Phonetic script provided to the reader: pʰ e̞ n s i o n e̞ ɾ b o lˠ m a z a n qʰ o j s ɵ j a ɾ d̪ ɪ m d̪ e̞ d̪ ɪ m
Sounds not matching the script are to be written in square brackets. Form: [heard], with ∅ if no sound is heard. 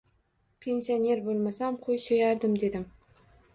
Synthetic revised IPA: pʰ e̞ n s i o n e̞ ɾ b o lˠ m a [s] a [m] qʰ o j s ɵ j a ɾ d̪ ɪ m d̪ e̞ d̪ ɪ m